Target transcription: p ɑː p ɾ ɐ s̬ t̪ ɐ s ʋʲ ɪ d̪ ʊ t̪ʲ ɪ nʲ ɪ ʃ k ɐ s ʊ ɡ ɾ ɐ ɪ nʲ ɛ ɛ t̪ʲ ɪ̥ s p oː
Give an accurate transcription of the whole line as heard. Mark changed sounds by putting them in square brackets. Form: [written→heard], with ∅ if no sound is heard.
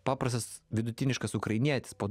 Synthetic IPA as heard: p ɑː p ɾ ɐ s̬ t̪ ɐ s ʋʲ ɪ d̪ ʊ t̪ʲ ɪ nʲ ɪ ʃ k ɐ s ʊ [ɡ→k] ɾ ɐ ɪ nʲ [ɛ→i] ɛ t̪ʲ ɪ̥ s p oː